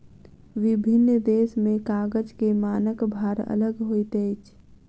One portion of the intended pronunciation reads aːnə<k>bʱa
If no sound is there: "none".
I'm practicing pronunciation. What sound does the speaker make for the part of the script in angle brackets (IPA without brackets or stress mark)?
k